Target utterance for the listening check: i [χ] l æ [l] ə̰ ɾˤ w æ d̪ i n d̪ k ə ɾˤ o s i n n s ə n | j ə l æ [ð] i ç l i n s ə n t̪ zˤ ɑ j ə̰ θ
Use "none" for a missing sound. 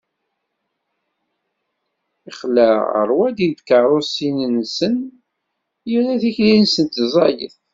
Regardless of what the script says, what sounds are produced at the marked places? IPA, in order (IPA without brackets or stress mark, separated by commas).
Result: χ, none, θ